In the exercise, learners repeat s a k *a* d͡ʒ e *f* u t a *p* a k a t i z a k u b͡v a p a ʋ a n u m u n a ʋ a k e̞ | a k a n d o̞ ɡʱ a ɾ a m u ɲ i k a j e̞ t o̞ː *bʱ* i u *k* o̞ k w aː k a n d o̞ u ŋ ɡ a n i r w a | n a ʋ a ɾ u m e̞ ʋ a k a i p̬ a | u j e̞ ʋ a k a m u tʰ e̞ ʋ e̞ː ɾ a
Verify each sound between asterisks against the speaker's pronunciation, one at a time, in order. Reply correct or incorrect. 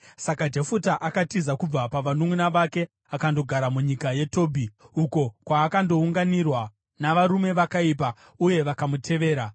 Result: correct, correct, incorrect, correct, correct

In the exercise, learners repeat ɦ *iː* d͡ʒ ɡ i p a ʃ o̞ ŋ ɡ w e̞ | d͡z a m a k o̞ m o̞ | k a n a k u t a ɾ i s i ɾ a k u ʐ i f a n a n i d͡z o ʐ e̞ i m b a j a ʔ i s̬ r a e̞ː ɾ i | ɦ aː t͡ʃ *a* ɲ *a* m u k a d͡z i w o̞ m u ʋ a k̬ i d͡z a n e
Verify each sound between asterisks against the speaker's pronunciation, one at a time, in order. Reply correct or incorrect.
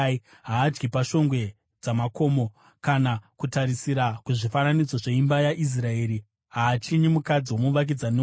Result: incorrect, incorrect, incorrect

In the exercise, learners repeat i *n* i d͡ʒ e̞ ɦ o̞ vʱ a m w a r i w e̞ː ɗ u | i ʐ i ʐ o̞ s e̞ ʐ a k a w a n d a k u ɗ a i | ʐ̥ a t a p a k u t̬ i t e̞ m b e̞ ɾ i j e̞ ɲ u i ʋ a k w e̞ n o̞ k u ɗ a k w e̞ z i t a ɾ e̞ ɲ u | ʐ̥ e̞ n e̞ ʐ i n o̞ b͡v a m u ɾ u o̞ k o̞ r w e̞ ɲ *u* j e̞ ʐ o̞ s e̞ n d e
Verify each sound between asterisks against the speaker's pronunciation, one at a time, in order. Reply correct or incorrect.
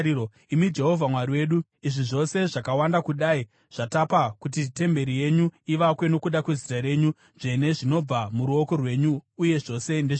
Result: incorrect, incorrect

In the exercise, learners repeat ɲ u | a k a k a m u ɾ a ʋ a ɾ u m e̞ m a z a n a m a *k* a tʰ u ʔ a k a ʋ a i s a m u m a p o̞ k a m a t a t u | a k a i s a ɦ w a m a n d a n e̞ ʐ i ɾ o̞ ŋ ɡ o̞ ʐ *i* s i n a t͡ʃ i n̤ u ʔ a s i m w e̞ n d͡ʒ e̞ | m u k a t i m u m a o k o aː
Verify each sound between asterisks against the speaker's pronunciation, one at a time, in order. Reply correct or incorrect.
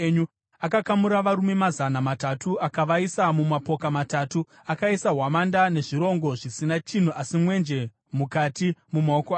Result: incorrect, correct

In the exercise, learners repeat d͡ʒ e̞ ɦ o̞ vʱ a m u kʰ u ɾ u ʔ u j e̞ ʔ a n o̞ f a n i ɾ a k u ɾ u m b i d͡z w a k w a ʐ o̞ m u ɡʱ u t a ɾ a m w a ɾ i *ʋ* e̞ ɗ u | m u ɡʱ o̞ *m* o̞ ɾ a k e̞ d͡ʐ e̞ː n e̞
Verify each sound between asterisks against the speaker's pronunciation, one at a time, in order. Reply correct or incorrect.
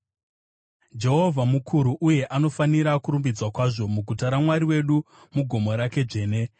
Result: incorrect, correct

